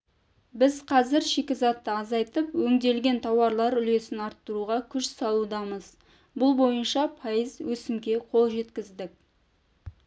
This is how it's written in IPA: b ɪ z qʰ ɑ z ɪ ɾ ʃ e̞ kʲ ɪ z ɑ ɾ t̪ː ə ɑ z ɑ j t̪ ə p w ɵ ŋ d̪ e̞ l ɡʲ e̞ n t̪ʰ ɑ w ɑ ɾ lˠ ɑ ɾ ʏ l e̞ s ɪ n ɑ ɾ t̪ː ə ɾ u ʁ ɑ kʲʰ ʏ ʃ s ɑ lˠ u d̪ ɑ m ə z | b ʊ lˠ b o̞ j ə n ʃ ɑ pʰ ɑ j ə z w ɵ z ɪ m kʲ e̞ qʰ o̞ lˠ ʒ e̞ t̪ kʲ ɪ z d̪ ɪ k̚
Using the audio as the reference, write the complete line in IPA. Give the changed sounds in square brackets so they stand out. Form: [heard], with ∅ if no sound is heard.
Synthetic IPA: b ɪ z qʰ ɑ z ɪ ɾ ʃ e̞ kʲ ɪ z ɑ [∅] t̪ː ə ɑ z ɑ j t̪ ə p w ɵ ŋ d̪ e̞ l ɡʲ e̞ n t̪ʰ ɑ w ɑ ɾ lˠ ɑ ɾ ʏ l e̞ s ɪ n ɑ ɾ t̪ː ə ɾ u ʁ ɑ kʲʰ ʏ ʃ s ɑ lˠ u d̪ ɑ m ə z | b ʊ lˠ b o̞ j ə n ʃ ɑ pʰ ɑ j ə z w ɵ [s] ɪ m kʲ e̞ qʰ o̞ lˠ ʒ e̞ t̪ kʲ ɪ z d̪ ɪ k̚